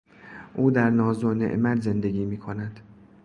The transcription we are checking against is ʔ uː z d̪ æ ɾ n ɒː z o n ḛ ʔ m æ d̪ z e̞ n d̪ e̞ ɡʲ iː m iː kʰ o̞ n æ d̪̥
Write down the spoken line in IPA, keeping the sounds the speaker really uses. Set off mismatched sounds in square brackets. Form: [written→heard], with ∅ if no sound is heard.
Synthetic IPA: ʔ uː [z→∅] d̪ æ ɾ n ɒː z o n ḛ ʔ m æ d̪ z e̞ n d̪ e̞ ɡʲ iː m iː kʰ o̞ n æ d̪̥